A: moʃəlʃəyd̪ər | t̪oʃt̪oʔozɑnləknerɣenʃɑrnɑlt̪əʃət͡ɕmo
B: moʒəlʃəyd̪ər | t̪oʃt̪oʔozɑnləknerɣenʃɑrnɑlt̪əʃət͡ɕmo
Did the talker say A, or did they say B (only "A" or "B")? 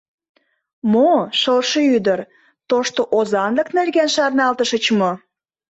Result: A